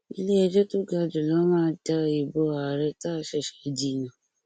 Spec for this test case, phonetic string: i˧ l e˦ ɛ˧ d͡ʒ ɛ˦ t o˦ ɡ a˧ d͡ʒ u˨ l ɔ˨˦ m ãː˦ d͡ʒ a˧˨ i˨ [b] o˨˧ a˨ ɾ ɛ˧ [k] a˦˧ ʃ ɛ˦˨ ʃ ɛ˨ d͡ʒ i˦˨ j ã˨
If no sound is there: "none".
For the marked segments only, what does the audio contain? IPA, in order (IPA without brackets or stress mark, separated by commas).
b, t